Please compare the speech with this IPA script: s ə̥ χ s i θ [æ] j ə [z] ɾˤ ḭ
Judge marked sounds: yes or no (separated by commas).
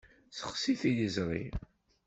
no, yes